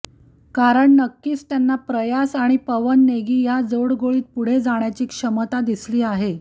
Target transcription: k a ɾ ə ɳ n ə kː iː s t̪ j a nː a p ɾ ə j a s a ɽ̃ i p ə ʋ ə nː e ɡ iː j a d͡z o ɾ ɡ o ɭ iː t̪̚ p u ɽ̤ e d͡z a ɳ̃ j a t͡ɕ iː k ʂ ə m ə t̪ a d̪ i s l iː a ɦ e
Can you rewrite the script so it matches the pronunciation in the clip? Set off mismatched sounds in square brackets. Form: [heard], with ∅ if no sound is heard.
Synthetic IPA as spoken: k a ɾ ə ɳ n ə kː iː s t̪ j a nː a p ɾ ə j a s a ɽ̃ i p ə ʋ ə nː e ɡ iː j a d͡z o [ɽ] ɡ o ɭ iː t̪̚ p u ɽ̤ e d͡z a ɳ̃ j a t͡ɕ iː k ʂ ə m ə t̪ a d̪ i s l iː a ɦ e